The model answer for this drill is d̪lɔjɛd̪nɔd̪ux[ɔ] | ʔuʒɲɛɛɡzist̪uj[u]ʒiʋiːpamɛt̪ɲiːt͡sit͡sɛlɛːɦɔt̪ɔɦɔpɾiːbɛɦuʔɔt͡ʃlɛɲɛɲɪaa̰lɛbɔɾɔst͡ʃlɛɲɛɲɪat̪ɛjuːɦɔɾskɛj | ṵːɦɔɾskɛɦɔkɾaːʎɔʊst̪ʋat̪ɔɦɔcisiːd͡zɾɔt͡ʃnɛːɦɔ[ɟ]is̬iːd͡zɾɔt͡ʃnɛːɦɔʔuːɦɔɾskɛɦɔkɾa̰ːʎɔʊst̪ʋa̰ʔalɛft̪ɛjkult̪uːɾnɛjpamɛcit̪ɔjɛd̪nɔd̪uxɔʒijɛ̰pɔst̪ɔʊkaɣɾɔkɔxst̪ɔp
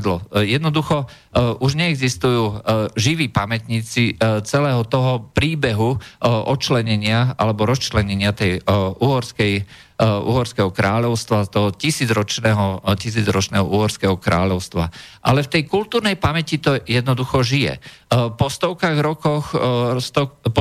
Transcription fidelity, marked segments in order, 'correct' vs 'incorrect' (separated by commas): correct, incorrect, incorrect